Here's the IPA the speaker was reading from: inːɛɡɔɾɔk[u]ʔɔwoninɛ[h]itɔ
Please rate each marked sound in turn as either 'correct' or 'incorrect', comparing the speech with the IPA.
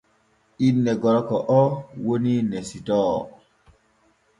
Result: incorrect: ɔ, incorrect: s

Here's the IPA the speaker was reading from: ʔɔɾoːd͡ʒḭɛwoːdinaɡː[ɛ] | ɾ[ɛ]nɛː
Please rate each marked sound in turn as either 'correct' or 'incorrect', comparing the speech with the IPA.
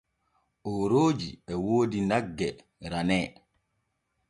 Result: correct, incorrect: a

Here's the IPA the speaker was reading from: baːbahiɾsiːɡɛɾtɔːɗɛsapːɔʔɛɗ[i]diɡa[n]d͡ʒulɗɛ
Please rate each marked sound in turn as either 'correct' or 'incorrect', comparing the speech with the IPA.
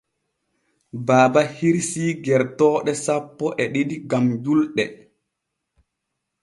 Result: correct, incorrect: m

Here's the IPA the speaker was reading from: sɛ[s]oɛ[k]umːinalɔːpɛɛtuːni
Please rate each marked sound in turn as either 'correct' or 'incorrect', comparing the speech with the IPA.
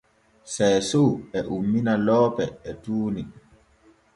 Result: correct, incorrect: ʔ

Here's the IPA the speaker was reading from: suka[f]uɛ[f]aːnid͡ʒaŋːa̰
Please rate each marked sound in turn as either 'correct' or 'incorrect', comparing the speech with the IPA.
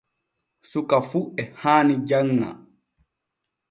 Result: correct, incorrect: h

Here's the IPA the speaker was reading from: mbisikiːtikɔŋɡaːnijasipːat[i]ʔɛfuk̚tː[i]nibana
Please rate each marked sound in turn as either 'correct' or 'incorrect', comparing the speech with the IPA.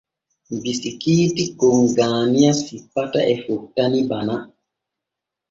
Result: incorrect: a, incorrect: a

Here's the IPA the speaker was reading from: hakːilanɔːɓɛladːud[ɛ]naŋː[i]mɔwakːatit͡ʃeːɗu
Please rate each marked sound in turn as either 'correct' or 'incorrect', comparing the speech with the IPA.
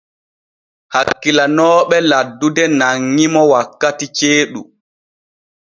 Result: correct, correct

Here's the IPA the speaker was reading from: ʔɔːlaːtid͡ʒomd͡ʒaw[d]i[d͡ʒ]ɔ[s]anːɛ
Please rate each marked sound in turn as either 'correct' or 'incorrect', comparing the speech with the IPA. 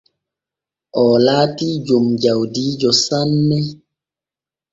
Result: correct, correct, correct

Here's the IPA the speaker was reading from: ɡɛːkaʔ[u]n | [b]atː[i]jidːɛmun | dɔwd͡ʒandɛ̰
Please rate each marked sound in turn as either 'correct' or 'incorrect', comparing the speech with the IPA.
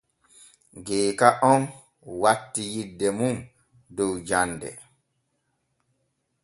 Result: incorrect: ɔ, incorrect: w, correct

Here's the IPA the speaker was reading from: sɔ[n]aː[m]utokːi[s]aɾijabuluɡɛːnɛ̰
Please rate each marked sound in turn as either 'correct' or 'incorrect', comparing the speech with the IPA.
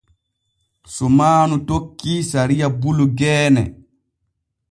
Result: incorrect: m, incorrect: n, correct

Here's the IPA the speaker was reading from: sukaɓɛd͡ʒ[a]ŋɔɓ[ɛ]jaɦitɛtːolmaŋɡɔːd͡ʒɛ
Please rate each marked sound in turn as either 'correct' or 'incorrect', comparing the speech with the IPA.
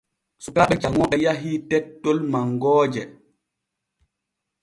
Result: correct, correct

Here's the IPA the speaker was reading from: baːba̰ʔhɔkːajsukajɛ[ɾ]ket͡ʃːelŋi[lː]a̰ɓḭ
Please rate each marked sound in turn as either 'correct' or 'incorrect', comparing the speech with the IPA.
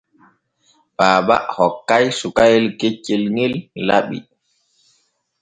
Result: incorrect: l, correct

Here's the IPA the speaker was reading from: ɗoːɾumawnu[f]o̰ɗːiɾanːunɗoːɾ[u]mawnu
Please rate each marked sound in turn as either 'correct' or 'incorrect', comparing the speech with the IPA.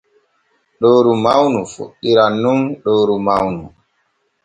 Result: correct, correct

